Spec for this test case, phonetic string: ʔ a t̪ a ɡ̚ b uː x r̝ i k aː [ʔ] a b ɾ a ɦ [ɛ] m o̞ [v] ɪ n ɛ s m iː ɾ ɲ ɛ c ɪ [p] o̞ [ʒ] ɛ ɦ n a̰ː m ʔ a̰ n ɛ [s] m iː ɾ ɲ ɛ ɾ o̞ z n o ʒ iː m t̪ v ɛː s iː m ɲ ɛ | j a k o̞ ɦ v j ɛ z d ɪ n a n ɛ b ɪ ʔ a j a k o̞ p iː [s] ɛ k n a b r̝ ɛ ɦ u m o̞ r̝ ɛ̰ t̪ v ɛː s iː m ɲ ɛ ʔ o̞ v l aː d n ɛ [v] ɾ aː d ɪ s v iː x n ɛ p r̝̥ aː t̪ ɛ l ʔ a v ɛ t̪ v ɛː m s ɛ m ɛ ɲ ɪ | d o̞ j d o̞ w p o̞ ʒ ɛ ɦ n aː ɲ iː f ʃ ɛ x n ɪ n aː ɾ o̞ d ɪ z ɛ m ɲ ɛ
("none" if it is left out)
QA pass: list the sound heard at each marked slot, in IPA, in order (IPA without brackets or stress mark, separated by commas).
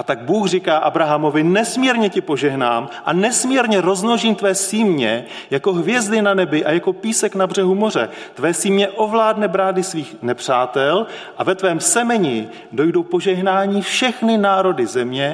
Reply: ʔ, a, v, p, ʒ, s, s, b